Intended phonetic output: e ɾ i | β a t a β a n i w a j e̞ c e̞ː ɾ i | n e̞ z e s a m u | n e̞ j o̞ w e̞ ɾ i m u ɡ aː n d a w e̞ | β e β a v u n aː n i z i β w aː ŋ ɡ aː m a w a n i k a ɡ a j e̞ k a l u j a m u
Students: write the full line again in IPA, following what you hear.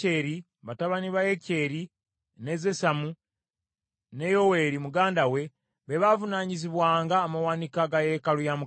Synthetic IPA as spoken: e ɾ i | β a t a β a n i β a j e̞ c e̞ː ɾ i | n e̞ z e s a m u | n e̞ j o̞ w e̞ ɾ i m u ɡ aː n d a w e̞ | β e β a v u n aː ɲ i z i β w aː ŋ ɡ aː m a w a n i k a ɡ a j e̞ k a l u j a m u